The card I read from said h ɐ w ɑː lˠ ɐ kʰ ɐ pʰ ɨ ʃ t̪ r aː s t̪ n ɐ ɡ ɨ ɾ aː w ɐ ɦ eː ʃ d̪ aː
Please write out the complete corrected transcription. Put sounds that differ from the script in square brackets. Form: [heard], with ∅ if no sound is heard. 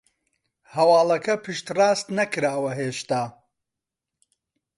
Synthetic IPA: h ɐ w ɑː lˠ ɐ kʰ ɐ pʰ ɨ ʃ t̪ r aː s t̪ n ɐ [k] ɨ ɾ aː w ɐ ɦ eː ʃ [t̪] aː